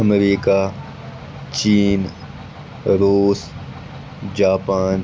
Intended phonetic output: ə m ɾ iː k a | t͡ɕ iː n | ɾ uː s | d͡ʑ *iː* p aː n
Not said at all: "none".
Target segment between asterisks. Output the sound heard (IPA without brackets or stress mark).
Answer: aː